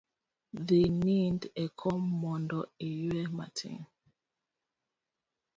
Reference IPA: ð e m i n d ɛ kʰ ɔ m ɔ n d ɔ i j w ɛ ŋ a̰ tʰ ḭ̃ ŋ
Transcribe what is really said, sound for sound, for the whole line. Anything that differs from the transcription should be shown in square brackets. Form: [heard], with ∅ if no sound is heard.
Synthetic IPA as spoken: ð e [n] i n d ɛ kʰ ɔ m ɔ n d ɔ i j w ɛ [m] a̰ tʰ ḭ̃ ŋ

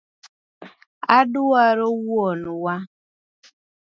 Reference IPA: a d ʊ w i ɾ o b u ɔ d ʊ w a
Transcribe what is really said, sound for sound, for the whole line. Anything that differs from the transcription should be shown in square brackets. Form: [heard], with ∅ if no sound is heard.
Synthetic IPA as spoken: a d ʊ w [a] ɾ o [w] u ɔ [n] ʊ w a

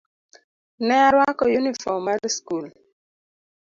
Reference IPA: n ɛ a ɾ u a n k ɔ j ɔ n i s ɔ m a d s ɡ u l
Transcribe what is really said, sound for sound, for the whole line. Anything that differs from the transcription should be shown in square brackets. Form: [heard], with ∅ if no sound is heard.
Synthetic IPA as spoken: n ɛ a ɾ [w] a [∅] k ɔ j [u] n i [f] ɔ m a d s [k] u l

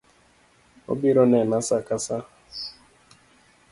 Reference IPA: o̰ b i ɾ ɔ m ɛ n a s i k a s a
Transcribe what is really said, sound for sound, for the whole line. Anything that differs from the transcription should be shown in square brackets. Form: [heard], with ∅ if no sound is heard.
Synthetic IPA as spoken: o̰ b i ɾ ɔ [n] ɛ n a s [a] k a s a

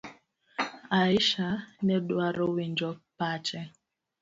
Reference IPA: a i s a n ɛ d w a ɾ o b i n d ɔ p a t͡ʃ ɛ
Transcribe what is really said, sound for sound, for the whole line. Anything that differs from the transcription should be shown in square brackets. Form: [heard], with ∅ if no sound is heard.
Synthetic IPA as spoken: a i [ʃ] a n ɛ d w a ɾ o [w] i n [d͡ʒ] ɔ p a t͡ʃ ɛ

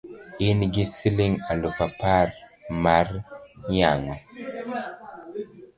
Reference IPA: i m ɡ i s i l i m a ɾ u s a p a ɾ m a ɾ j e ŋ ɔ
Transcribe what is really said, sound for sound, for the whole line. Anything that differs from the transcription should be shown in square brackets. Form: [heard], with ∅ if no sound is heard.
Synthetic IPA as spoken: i [n] ɡ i s i l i [ŋ] a [l] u [f] a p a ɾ m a ɾ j [a] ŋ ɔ

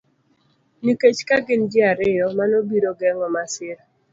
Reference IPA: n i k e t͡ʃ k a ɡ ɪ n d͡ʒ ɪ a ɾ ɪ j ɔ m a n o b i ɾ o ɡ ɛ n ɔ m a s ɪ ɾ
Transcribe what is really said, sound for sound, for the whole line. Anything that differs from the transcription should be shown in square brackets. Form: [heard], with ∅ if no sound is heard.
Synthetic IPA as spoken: n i k e t͡ʃ k a ɡ ɪ n d͡ʒ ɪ a ɾ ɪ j ɔ m a n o b i ɾ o ɡ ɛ [ŋ] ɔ m a s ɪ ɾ

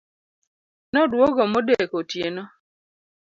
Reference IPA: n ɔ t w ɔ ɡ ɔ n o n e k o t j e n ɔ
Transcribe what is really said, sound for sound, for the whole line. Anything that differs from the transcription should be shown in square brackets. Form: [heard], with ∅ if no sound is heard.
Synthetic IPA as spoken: n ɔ [d] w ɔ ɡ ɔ [m] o [d] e k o t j e n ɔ

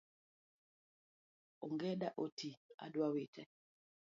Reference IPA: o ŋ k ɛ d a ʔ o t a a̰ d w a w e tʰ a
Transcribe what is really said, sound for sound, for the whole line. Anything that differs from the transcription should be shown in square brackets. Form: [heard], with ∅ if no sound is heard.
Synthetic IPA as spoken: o ŋ [ɡ] ɛ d a ʔ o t [i] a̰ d w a w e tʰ [ɛ]

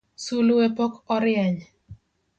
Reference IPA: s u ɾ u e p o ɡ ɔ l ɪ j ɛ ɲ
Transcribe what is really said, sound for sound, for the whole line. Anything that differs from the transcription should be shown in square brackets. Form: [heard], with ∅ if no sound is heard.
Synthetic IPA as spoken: s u [l] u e p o [k] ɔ [ɾ] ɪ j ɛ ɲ

